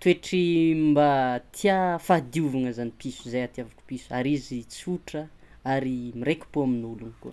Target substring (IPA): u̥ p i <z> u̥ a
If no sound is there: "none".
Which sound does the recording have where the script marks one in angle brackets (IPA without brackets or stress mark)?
s